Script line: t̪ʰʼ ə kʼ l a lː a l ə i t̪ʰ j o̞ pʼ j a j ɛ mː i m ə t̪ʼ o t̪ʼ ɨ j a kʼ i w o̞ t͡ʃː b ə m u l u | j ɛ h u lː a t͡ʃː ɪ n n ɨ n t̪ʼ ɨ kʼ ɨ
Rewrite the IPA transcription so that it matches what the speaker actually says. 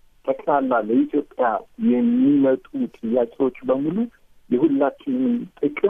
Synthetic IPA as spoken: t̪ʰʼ ə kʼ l a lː a l ə i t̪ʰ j o̞ pʼ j a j ɛ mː i m ə t̪ʼ u t̪ʼ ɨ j a kʼ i w o̞ t͡ʃː b ə m u l u | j ɛ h u lː a t͡ʃː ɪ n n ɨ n t̪ʼ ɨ kʼ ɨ